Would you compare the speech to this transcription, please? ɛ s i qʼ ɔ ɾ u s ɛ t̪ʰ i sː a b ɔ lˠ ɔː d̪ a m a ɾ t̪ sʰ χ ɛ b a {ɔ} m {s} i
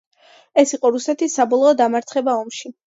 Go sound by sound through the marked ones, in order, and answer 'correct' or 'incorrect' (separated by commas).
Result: correct, incorrect